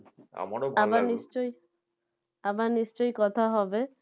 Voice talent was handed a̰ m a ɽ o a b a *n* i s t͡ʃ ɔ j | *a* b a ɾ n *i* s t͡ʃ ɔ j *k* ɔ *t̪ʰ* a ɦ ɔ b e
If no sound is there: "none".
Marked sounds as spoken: n, a, i, k, t̪ʰ

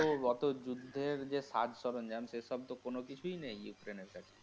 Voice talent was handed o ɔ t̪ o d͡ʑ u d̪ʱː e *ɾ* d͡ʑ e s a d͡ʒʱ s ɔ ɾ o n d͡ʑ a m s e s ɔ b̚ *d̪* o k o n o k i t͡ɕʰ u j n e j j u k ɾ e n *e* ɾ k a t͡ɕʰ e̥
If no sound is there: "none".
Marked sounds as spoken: ɾ, t̪, e

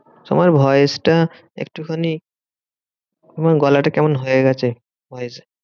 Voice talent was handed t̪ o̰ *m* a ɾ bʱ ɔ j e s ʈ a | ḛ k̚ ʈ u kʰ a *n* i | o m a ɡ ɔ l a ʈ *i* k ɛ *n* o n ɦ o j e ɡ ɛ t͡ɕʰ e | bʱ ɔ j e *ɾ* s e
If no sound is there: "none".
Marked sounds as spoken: m, n, a, m, none

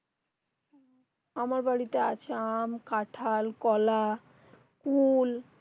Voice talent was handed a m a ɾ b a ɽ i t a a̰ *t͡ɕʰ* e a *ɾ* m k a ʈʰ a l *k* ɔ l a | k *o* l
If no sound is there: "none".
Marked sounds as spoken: t͡ɕʰ, none, k, u

